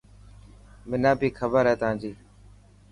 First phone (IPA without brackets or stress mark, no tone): m